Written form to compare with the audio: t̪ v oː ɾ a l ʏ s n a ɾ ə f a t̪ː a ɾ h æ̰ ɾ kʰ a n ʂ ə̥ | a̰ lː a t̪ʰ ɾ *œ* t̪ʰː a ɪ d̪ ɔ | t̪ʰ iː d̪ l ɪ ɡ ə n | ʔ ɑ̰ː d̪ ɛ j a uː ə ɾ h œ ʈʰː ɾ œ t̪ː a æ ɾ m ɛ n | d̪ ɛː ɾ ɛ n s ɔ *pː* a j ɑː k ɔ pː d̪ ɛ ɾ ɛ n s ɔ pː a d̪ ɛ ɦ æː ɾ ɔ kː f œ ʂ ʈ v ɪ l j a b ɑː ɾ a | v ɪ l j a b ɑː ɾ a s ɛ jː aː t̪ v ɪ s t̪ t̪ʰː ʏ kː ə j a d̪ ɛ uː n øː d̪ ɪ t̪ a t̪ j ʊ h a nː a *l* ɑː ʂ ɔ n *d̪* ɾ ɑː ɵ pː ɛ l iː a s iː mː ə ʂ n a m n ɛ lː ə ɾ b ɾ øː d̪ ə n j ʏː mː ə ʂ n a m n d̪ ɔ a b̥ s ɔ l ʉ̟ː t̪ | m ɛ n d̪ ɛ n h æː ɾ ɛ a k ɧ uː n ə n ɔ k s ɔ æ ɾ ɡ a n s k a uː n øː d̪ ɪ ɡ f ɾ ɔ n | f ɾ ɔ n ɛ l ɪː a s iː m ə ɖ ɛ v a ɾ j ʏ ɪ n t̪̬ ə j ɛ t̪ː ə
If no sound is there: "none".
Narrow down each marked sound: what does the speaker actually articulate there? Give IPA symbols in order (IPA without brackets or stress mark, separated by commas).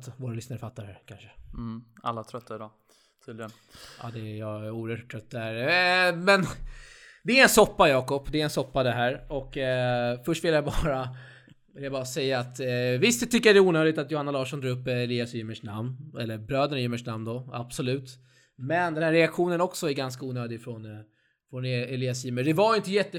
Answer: œ, pː, l, d̪